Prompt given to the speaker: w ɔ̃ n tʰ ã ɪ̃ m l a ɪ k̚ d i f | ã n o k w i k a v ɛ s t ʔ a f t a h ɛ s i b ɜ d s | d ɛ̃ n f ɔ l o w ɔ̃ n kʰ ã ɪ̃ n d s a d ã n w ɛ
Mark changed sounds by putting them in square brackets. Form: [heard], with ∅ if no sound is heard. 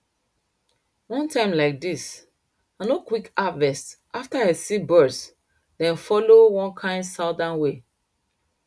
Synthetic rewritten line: w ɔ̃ n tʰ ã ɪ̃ m l a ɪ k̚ d i [s] | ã n o k w i k a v ɛ s t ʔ a f t a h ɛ s i b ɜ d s | d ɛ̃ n f ɔ l o w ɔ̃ n kʰ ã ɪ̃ n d s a d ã n w [e]